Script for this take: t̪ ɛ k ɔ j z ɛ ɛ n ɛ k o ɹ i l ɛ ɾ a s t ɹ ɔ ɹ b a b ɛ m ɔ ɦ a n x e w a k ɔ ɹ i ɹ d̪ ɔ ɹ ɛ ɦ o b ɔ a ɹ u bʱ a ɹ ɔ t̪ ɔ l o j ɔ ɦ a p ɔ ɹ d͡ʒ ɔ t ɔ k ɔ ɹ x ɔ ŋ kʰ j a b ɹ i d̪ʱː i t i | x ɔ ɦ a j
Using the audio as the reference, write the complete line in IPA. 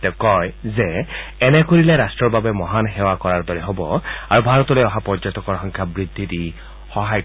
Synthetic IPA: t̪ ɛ k ɔ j z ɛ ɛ n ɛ k o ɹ i l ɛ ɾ a s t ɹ ɔ ɹ b a b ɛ m ɔ ɦ a n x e w a k ɔ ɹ a ɹ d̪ ɔ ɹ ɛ ɦ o b ɔ a ɹ u bʱ a ɹ ɔ t̪ ɔ l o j ɔ ɦ a p ɔ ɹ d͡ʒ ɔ t ɔ k ɔ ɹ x ɔ ŋ kʰ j a b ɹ i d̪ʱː i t i | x ɔ ɦ a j

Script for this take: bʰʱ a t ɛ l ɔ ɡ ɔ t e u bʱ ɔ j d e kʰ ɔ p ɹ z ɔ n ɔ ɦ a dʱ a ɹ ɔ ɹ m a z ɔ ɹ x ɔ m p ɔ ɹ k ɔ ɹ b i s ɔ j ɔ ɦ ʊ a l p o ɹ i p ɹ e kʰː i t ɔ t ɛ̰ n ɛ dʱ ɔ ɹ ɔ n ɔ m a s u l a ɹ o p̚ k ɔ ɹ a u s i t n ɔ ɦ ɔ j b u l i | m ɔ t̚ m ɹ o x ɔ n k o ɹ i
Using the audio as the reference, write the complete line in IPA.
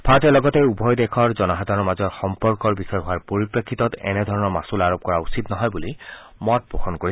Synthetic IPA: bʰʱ a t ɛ l ɔ ɡ ɔ t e u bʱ ɔ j d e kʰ ɔ ɹ z ɔ n ɔ ɦ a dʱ a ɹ ɔ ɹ m a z ɔ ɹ x ɔ m p ɔ ɹ k ɔ ɹ b i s ɔ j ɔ ɦ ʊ a ɹ p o ɹ i p ɹ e kʰː i t ɔ t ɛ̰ n ɛ dʱ ɔ ɹ ɔ n ɔ m a s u l a ɹ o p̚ k ɔ ɹ a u s i t n ɔ ɦ ɔ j b u l i | m ɔ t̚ b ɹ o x ɔ n k o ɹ i

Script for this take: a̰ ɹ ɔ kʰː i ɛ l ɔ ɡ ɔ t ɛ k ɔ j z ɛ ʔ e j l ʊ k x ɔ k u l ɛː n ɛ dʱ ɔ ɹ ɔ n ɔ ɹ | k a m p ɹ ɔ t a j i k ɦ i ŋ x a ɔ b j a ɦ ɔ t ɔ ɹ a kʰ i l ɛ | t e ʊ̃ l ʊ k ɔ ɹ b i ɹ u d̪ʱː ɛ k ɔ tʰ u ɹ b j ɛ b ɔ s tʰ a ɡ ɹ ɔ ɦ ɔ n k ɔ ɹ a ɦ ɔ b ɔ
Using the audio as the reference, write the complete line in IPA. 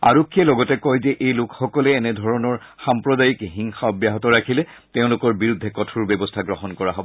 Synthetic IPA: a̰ ɹ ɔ kʰː i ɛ l ɔ ɡ ɔ t ɛ k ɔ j z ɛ ʔ e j l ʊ k x ɔ k ɔ l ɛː n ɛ dʱ ɔ ɹ ɔ n ɔ ɹ | x a m p ɹ ɔ d a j i k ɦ i ŋ x a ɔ b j a ɦ ɔ t ɔ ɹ a kʰ i l ɛ | t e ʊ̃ l ʊ k ɔ ɹ b i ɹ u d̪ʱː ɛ k ɔ tʰ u ɹ b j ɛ b ɔ s tʰ a ɡ ɹ ɔ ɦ ɔ n k ɔ ɹ a ɦ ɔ b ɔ

